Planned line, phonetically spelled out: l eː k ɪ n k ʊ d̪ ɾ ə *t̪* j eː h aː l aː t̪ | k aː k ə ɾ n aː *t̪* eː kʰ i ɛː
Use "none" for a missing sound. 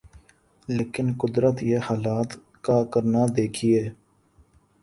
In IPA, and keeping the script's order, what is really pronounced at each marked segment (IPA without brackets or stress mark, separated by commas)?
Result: t̪, d̪